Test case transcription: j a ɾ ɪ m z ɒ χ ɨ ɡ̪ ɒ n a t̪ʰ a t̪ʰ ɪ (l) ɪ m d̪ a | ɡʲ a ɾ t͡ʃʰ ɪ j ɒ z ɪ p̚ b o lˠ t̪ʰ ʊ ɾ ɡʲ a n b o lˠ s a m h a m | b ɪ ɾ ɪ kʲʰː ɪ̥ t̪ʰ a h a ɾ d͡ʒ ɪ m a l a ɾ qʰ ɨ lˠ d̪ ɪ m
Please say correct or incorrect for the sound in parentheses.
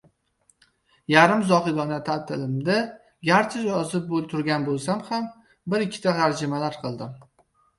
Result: correct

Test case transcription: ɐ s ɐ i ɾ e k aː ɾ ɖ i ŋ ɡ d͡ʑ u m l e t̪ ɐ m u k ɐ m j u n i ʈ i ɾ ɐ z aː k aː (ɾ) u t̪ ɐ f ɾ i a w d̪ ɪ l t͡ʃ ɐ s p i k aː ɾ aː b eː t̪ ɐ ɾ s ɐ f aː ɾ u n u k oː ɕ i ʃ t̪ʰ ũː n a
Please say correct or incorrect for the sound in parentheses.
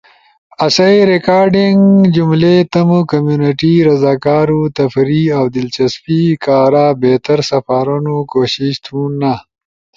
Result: correct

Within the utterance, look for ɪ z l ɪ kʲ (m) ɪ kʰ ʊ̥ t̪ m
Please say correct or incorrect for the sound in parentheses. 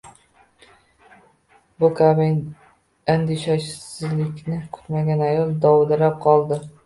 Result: incorrect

